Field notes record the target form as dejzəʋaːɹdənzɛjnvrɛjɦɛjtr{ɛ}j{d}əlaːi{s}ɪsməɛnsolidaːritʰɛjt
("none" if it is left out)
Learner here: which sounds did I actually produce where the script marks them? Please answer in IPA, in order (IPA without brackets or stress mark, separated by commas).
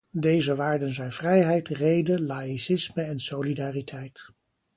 e, d, s